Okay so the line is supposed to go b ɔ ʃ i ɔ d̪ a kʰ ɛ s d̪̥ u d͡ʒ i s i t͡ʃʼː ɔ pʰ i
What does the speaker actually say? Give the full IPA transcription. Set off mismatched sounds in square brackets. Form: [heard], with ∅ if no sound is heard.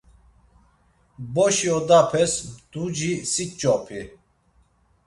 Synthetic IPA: b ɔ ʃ i ɔ d̪ a [pʰ] ɛ s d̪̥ u d͡ʒ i s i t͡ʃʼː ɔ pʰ i

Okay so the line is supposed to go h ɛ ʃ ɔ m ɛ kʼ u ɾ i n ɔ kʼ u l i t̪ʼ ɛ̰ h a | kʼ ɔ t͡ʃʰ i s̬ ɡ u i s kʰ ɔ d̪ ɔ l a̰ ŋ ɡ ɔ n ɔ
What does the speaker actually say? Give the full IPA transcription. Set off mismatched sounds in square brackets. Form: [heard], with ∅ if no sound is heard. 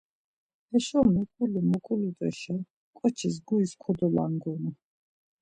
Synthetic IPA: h ɛ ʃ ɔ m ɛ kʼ u [l] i [m] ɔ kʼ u l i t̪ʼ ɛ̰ [ʃ] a | kʼ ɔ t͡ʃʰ i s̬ ɡ u i s kʰ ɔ d̪ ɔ l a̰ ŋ ɡ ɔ n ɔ

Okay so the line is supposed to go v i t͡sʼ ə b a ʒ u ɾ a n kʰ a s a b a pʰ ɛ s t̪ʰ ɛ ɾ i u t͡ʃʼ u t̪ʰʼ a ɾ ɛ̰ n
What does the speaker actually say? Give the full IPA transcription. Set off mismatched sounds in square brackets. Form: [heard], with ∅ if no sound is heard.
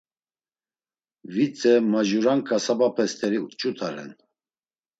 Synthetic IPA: v i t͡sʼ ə [m] a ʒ u ɾ a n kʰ a s a b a pʰ ɛ s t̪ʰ ɛ ɾ i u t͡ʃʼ u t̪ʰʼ a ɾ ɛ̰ n

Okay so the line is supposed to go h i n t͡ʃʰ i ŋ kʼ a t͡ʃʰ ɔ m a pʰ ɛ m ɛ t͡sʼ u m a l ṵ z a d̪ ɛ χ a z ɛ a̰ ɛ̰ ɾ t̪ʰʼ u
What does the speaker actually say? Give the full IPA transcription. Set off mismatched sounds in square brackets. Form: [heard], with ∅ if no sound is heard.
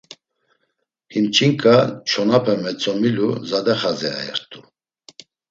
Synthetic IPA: h i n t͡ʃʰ i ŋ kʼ a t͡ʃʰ ɔ [n] a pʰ ɛ m ɛ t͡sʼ [ɔ] m [i] l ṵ z a d̪ ɛ χ a z ɛ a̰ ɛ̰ ɾ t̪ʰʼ u

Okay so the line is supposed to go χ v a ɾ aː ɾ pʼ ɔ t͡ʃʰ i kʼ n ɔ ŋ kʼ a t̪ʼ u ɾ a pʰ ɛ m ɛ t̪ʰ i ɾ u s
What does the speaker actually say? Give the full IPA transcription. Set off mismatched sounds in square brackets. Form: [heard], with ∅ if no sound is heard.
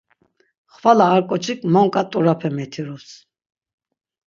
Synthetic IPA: χ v a [l] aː ɾ [kʼ] ɔ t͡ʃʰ i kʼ [m] ɔ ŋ kʼ a t̪ʼ u ɾ a pʰ ɛ m ɛ t̪ʰ i ɾ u s

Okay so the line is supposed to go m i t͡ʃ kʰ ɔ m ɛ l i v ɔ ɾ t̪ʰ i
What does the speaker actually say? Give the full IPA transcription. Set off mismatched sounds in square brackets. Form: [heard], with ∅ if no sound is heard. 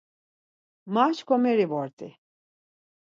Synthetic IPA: m [a] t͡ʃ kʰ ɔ m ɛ [ɾ] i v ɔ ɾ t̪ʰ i

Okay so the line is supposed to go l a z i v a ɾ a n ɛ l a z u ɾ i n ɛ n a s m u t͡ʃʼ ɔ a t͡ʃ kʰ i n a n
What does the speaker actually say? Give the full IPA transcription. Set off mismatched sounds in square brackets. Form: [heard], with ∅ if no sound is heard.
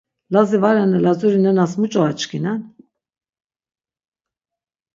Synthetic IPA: l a z i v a ɾ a n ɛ l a z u ɾ i n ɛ n a s m u t͡ʃʼ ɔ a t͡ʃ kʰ i n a n

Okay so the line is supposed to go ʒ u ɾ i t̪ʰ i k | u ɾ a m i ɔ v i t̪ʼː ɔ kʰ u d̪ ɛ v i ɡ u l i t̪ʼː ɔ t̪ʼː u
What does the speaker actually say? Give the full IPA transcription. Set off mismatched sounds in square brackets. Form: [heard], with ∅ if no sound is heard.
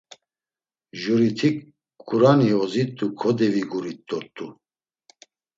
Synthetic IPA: ʒ u ɾ i t̪ʰ i k | u ɾ a [n] i ɔ [z] i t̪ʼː [u] kʰ [ɔ] d̪ ɛ v i ɡ u [ɾ] i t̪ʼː ɔ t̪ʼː u

